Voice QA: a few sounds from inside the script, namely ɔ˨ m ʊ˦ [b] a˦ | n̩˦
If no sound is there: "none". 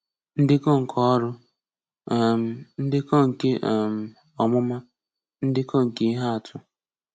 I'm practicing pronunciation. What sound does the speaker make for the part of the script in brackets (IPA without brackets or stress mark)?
m